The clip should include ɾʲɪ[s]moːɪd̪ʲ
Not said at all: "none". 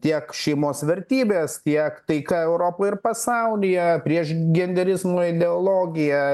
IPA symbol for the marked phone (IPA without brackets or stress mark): z